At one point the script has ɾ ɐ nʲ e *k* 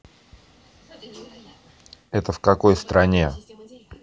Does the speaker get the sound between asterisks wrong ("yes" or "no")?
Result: yes